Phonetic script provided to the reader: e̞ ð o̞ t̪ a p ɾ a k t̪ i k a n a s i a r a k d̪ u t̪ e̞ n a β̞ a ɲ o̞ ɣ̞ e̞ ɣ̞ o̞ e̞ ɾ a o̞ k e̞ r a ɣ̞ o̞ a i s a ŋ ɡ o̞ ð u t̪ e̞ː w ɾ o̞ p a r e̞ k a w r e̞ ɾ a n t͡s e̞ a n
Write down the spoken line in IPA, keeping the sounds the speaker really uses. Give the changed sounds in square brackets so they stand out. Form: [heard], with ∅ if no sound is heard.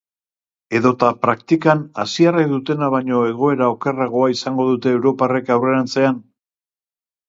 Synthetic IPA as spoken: e̞ ð o̞ t̪ a p ɾ a k t̪ i k a n a s i a r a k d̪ u t̪ e̞ n a β̞ a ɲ o̞ [∅] e̞ ɣ̞ o̞ e̞ ɾ a o̞ k e̞ r a ɣ̞ o̞ a i s a ŋ ɡ o̞ ð u t̪ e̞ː w ɾ o̞ p a r e̞ k a w r e̞ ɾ a n t͡s e̞ a n